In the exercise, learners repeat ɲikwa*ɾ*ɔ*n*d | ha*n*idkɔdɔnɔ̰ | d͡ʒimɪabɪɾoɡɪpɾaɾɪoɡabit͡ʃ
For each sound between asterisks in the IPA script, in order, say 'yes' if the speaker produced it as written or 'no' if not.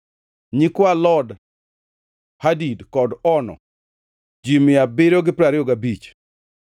no, no, no

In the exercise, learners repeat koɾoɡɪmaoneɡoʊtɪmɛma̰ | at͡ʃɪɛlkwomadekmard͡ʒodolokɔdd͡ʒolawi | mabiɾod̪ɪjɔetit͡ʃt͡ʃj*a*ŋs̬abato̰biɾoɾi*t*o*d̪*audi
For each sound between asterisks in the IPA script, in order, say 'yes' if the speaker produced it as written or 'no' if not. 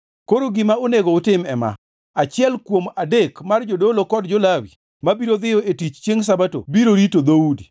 no, yes, yes

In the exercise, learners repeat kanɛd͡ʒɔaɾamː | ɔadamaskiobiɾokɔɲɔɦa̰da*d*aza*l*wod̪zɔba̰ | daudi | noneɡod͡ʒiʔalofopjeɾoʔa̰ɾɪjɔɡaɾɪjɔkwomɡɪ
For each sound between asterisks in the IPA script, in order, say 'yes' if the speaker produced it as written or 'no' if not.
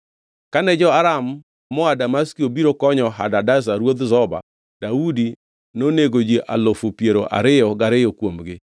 yes, no

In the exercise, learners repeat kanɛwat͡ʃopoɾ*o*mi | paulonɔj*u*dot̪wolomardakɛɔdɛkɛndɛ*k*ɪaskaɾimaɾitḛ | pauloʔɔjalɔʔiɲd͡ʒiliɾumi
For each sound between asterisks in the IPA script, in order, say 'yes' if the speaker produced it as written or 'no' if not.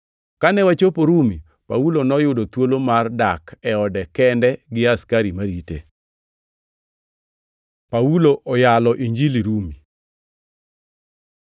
no, no, no

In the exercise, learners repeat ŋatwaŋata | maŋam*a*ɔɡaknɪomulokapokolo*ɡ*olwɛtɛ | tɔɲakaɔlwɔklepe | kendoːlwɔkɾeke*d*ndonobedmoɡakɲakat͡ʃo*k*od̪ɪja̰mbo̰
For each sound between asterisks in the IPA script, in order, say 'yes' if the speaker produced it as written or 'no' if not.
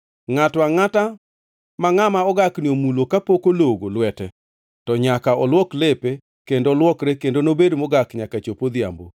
yes, yes, no, no

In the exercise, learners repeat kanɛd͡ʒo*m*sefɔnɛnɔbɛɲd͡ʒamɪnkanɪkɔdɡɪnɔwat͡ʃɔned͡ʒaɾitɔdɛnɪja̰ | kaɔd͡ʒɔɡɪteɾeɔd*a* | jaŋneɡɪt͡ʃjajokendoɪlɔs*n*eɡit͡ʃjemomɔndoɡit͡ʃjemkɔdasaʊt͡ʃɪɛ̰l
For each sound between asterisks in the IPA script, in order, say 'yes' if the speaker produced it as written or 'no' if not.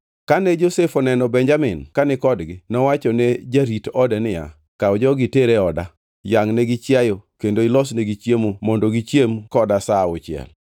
no, yes, yes

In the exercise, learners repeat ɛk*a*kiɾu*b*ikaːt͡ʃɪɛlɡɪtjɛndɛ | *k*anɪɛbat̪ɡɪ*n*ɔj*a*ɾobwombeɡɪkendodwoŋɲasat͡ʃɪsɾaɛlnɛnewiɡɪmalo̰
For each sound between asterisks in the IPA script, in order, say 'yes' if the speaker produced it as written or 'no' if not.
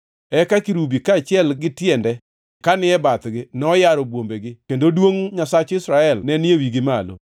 yes, yes, yes, yes, yes

